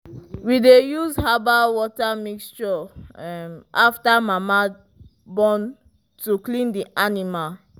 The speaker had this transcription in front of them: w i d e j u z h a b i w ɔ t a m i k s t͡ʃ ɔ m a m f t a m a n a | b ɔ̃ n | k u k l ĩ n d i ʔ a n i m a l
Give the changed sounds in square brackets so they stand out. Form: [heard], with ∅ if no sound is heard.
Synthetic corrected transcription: w i d e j u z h a b [a] w ɔ t a m i k s t͡ʃ ɔ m a [∅] f t a m a [m] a | b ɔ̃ n | [t] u k l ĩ n d i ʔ a n i m a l